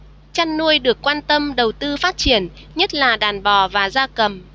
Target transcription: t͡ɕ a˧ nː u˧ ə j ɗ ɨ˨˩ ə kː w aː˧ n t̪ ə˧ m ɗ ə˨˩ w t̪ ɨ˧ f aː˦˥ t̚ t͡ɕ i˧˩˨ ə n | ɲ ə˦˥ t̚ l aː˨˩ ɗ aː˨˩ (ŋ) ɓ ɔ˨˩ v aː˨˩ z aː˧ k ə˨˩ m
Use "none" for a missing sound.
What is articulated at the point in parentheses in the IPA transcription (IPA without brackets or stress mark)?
n